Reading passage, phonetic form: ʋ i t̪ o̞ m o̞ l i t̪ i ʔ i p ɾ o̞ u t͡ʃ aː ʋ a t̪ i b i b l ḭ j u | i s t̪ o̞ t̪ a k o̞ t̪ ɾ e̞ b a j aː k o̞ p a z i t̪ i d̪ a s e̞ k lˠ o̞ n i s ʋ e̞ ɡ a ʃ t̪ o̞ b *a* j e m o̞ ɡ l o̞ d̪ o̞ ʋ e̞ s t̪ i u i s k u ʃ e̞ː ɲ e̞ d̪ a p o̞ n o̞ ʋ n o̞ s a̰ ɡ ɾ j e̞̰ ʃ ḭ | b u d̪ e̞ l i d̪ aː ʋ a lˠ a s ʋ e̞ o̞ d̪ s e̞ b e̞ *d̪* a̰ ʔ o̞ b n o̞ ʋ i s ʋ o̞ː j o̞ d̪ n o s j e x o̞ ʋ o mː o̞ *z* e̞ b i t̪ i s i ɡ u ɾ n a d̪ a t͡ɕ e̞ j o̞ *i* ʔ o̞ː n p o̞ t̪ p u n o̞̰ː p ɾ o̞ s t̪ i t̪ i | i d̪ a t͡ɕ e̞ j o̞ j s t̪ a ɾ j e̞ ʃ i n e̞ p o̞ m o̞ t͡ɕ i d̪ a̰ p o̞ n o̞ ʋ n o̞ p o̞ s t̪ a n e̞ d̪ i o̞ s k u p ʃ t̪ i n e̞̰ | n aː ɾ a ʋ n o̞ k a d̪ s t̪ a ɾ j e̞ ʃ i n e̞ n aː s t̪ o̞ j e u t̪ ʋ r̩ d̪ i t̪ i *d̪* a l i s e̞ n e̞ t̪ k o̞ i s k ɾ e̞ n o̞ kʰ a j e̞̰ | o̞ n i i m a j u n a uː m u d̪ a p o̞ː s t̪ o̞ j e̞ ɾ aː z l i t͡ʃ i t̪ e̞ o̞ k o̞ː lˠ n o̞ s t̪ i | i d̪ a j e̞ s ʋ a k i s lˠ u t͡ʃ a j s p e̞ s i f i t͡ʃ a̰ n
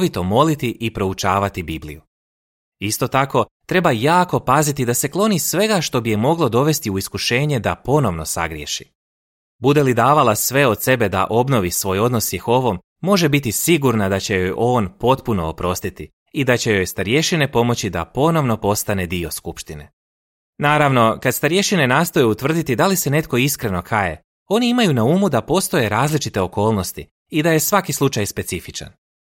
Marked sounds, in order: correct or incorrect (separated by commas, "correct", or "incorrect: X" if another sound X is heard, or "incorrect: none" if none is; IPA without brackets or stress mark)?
incorrect: i, correct, incorrect: ʒ, incorrect: j, correct